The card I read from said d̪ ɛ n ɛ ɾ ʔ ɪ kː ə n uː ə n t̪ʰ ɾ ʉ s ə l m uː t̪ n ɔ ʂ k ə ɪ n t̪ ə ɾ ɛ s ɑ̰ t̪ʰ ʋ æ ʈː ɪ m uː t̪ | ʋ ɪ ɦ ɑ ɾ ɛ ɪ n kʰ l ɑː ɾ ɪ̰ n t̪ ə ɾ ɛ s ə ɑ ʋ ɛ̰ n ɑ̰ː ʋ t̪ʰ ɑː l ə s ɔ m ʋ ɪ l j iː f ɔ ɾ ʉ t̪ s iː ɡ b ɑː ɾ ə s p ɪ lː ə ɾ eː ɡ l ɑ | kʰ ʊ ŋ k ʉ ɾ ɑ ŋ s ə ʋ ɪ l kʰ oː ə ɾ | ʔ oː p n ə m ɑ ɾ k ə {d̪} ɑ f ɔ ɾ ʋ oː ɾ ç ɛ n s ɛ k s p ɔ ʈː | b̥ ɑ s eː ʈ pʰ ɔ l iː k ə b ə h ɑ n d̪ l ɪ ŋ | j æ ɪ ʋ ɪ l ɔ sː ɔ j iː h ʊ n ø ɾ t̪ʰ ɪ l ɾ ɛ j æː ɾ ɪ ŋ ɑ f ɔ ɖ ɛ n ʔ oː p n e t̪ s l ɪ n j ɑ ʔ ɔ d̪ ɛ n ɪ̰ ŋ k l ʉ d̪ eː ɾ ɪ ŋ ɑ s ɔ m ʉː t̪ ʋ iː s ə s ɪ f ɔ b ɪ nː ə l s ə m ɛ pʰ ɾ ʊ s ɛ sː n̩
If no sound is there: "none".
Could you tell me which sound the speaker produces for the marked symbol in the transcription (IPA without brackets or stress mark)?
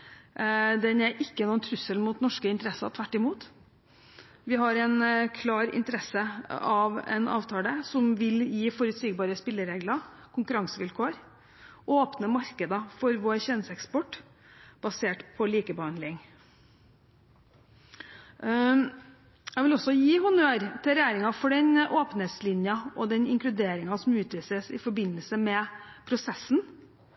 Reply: d̪